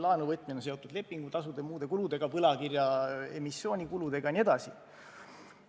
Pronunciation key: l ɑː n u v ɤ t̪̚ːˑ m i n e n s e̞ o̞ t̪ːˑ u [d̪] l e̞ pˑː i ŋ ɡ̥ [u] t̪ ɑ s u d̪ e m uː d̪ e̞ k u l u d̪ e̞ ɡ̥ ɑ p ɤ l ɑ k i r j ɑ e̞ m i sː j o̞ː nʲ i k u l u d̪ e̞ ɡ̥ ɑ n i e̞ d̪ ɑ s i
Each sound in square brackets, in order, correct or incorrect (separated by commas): correct, correct